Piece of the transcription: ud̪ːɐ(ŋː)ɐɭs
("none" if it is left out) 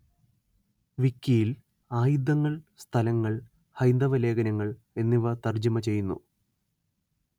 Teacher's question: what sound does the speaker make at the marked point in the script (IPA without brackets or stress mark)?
ŋː